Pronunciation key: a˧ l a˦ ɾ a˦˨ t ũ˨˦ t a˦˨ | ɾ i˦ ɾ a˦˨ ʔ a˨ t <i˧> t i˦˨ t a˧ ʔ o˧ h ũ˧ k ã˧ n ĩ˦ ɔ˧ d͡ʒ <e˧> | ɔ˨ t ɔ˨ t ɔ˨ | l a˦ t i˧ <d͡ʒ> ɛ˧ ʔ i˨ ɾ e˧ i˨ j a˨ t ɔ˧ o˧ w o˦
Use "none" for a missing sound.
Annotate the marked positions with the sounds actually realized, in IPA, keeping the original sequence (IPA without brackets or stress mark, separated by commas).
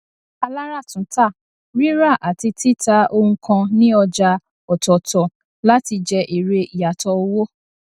i˧, a˧, d͡ʒ